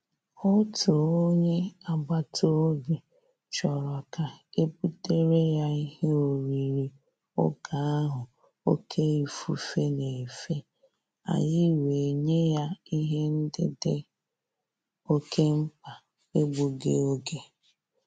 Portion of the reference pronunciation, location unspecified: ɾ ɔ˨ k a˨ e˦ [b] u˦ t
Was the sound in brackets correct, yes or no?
no